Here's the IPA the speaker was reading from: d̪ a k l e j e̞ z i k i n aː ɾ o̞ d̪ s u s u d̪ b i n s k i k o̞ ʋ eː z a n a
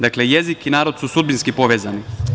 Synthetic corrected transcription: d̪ a k l e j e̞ z i k i n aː ɾ o̞ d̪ s u s u d̪ b i n s k i p o̞ ʋ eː z a n i